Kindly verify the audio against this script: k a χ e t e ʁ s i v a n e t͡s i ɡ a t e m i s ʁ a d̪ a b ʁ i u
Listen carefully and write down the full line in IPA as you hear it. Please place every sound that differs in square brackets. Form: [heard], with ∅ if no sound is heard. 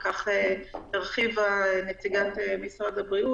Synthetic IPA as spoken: k a χ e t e ʁ [χ] i v a n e t͡s i ɡ a t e m i s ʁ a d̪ a b ʁ i u